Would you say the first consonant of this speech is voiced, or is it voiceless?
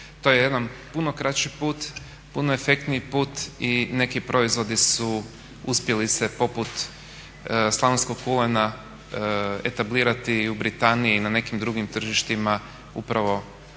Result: voiceless